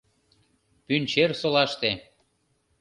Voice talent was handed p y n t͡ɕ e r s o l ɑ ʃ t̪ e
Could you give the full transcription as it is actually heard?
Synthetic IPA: p y n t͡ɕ e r s o l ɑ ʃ t̪ e